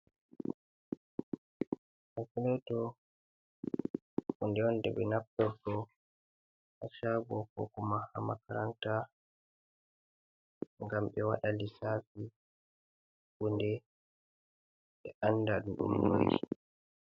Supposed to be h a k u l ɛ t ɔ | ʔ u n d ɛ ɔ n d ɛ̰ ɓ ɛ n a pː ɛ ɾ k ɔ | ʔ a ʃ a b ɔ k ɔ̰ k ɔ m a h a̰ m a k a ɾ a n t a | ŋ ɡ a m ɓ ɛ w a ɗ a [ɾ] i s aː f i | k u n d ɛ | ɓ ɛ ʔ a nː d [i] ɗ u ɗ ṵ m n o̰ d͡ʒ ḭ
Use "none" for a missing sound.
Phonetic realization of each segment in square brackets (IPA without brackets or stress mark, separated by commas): l, a